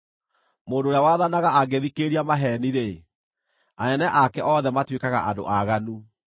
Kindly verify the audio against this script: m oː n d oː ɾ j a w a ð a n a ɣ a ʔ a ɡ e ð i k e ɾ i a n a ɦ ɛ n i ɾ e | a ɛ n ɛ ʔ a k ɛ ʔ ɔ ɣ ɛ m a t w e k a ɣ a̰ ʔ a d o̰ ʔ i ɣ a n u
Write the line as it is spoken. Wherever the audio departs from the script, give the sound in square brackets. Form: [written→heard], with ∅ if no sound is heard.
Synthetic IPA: m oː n d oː ɾ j a w a ð a n a ɣ a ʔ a ɡ e ð i k e ɾ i a [n→m] a ɦ ɛ n i ɾ e | a ɛ n ɛ ʔ a k ɛ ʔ ɔ [ɣ→ð] ɛ m a t w e k a ɣ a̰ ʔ a d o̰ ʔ [i→a] ɣ a n u